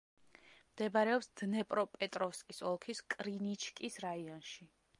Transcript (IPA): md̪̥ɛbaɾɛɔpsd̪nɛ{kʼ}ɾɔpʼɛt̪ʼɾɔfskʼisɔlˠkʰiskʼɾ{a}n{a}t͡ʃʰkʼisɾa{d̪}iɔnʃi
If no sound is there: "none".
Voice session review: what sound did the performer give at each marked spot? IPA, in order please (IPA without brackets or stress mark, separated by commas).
pʼ, i, i, none